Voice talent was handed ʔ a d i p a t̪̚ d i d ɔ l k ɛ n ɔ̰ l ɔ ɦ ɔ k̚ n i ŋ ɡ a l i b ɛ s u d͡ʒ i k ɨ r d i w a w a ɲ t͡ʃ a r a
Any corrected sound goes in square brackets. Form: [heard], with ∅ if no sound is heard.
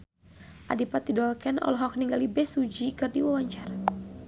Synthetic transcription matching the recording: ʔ a d i p a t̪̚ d i d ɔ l k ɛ n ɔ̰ l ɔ ɦ ɔ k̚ n i ŋ ɡ a l i b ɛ s u d͡ʒ i k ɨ r d i w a w a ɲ t͡ʃ a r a